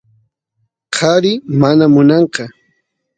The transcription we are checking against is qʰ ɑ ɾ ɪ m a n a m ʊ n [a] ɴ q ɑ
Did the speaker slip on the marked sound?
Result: yes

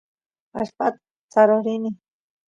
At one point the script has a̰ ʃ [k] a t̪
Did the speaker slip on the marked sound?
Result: yes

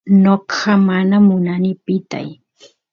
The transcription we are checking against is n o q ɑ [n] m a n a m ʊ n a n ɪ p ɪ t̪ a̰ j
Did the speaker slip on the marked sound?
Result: yes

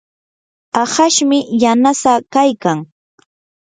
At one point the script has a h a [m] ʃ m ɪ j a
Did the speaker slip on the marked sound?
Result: yes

